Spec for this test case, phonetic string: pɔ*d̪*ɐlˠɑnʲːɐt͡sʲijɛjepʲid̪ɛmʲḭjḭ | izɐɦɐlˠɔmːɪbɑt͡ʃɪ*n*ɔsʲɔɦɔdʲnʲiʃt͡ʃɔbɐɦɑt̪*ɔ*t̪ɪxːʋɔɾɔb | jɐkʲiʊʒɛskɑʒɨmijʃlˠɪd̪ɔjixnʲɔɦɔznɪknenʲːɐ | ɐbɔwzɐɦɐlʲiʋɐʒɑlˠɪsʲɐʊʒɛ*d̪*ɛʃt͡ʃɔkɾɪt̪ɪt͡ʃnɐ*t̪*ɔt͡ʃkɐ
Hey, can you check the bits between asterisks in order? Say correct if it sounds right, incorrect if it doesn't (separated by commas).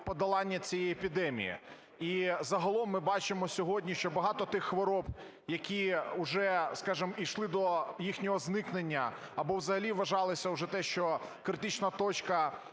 correct, incorrect, correct, incorrect, correct